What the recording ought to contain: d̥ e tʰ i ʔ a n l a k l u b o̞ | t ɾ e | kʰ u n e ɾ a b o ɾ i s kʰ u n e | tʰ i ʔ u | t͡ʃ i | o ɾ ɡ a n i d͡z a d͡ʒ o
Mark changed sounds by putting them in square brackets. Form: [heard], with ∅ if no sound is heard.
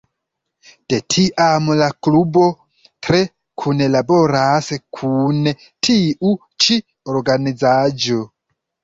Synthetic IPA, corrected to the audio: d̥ e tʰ i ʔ a [m] l a k l u b o̞ | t ɾ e | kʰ u n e [l] a b o ɾ [a] s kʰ u n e | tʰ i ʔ u | t͡ʃ i | o ɾ ɡ a n i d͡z a d͡ʒ o